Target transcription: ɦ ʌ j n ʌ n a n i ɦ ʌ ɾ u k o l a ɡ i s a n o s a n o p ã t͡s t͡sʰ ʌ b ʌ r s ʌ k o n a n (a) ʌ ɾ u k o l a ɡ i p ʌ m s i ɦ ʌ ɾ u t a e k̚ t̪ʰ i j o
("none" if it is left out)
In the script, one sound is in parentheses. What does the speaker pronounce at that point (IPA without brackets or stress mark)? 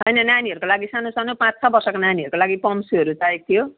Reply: i